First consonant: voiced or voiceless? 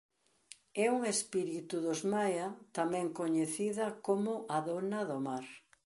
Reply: voiced